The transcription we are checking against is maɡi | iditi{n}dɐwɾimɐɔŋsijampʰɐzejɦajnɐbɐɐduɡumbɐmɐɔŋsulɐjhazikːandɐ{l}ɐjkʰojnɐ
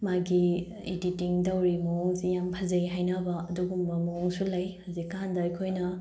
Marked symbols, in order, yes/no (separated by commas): no, no